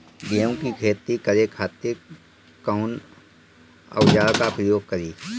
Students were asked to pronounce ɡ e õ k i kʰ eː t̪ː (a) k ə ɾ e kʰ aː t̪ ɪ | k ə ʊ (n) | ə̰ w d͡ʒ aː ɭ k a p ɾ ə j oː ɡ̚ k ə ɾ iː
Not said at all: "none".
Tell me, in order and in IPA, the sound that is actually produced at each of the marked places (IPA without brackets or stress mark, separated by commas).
i, n